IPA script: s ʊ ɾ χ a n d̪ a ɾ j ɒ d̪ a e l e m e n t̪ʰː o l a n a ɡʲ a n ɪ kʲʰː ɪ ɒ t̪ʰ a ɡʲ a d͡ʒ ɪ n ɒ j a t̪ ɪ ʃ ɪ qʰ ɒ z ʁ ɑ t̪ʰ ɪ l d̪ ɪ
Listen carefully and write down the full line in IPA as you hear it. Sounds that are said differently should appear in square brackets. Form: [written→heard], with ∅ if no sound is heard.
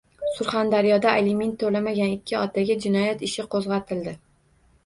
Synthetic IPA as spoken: s ʊ ɾ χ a n d̪ a ɾ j ɒ d̪ a e l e m e n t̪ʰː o l a [n→m] a ɡʲ a n ɪ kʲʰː ɪ ɒ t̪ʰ a ɡʲ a d͡ʒ ɪ n ɒ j a t̪ ɪ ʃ ɪ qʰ [ɒ→o] z ʁ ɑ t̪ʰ ɪ l d̪ ɪ